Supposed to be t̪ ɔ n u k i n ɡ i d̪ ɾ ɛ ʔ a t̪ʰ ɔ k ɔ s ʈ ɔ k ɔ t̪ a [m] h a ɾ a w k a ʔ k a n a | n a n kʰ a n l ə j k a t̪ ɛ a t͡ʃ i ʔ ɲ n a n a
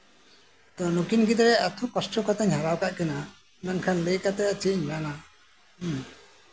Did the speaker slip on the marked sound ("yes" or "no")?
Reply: yes